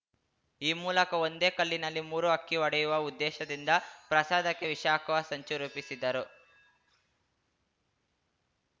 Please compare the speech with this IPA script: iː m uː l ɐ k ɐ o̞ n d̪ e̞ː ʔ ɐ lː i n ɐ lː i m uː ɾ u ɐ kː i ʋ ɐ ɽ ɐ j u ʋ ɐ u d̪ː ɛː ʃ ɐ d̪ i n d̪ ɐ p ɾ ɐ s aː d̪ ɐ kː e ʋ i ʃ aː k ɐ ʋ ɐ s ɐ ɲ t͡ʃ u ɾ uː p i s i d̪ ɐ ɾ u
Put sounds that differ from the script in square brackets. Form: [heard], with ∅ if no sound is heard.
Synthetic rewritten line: iː m uː l ɐ k ɐ o̞ n d̪ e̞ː [k] ɐ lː i n ɐ lː i m uː ɾ u ɐ kː i ʋ ɐ ɽ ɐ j u ʋ ɐ u d̪ː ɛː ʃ ɐ d̪ i n d̪ ɐ p ɾ ɐ s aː d̪ ɐ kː e ʋ i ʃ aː k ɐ ʋ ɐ s ɐ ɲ t͡ʃ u ɾ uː p i s i d̪ ɐ ɾ u

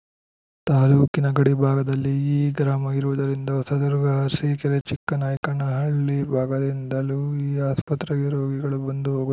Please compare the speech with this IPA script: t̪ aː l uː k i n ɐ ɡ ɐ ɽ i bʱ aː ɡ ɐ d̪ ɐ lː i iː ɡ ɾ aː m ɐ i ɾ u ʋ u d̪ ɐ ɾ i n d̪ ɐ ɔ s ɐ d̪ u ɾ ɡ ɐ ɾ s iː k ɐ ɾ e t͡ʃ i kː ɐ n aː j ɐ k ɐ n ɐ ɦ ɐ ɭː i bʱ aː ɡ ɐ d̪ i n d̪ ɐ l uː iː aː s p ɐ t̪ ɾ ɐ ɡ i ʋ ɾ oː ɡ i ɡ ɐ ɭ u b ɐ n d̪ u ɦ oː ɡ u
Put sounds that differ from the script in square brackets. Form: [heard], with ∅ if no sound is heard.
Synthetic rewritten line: t̪ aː l uː k i n ɐ ɡ ɐ ɽ i bʱ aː ɡ ɐ d̪ ɐ lː i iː ɡ ɾ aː m ɐ i ɾ u ʋ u d̪ ɐ ɾ i n d̪ ɐ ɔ s ɐ d̪ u ɾ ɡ ɐ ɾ s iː k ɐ ɾ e t͡ʃ i kː ɐ n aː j ɐ k ɐ n ɐ ɦ ɐ ɭː i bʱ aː ɡ ɐ d̪ i n d̪ ɐ l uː iː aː s p ɐ t̪ ɾ ɐ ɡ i [∅] ɾ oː ɡ i ɡ ɐ ɭ u b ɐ n d̪ u ɦ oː ɡ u

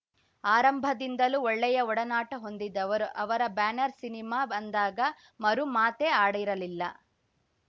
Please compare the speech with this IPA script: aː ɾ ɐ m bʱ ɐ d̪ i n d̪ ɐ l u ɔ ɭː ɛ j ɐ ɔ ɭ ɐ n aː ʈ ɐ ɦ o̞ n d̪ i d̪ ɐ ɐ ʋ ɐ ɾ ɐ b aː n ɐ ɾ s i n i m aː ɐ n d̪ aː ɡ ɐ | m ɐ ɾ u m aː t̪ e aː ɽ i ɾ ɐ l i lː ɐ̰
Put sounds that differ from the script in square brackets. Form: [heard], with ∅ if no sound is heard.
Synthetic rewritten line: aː ɾ ɐ m bʱ ɐ d̪ i n d̪ ɐ l u ɔ ɭː ɛ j ɐ ɔ [ɽ] ɐ n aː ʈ ɐ ɦ o̞ n d̪ i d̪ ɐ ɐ ʋ ɐ ɾ ɐ b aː n ɐ ɾ s i n i m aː ɐ n d̪ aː ɡ ɐ | m ɐ ɾ u m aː t̪ e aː ɽ i ɾ ɐ l i lː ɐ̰

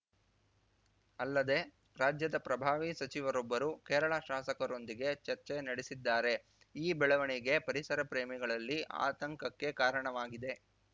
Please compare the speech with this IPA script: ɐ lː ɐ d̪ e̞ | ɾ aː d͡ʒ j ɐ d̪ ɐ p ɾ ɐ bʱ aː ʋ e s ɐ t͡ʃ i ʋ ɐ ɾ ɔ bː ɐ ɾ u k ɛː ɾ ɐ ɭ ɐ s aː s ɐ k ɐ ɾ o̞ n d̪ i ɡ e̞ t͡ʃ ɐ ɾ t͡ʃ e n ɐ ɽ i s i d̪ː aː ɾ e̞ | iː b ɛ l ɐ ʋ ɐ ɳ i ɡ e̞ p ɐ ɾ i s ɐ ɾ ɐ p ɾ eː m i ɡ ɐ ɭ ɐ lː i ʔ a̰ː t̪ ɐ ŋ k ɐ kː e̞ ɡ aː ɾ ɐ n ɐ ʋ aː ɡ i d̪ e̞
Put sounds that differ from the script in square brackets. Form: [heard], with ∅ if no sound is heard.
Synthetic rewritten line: ɐ lː ɐ d̪ e̞ | ɾ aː d͡ʒ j ɐ d̪ ɐ p ɾ ɐ bʱ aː ʋ [i] s ɐ t͡ʃ i ʋ ɐ ɾ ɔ bː ɐ ɾ u k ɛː ɾ ɐ ɭ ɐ [ʃ] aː s ɐ k ɐ ɾ o̞ n d̪ i ɡ e̞ t͡ʃ ɐ ɾ t͡ʃ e n ɐ ɽ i s i d̪ː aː ɾ e̞ | iː b ɛ [ɭ] ɐ ʋ ɐ ɳ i ɡ e̞ p ɐ ɾ i s ɐ ɾ ɐ p ɾ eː m i ɡ ɐ ɭ ɐ lː i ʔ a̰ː t̪ ɐ ŋ k ɐ kː e̞ [k] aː ɾ ɐ [ɳ] ɐ ʋ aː ɡ i d̪ e̞

